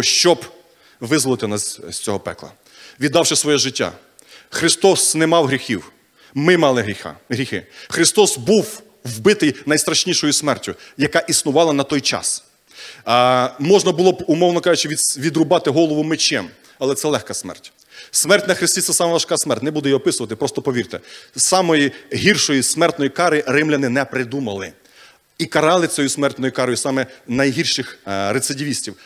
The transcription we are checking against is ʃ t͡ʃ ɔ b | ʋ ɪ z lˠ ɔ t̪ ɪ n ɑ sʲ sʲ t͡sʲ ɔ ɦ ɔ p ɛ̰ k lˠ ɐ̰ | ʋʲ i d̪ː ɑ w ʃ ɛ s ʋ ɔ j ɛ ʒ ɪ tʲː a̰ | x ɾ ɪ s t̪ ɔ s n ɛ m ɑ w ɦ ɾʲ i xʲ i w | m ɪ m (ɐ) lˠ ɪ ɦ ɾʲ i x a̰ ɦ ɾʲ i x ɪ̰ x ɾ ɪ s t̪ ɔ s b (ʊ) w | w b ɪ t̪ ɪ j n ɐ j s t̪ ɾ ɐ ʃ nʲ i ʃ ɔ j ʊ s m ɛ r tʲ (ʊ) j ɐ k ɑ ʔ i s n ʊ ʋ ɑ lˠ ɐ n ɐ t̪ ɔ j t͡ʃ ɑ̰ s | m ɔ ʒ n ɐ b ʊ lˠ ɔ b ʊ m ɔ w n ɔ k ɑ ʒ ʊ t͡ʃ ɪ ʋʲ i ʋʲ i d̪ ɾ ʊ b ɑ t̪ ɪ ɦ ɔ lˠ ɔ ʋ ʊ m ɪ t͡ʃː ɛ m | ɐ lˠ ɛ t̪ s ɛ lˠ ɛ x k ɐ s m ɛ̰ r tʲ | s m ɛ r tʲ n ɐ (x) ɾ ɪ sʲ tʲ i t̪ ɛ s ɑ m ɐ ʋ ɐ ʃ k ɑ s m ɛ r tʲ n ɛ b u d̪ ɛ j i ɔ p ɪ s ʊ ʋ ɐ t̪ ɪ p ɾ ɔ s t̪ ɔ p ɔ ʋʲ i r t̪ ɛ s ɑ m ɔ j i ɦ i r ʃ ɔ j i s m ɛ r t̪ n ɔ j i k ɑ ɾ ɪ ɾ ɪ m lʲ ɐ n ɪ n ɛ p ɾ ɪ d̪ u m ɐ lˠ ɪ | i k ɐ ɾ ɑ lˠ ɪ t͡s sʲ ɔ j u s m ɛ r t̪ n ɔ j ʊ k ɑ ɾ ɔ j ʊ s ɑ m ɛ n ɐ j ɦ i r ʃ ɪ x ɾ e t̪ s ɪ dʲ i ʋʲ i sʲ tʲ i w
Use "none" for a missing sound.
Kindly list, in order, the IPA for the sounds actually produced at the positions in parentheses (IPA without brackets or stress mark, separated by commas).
ɑ, u, ʊ, x